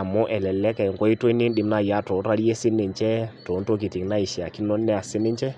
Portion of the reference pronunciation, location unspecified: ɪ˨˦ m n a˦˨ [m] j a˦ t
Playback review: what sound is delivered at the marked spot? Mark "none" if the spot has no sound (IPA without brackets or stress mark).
none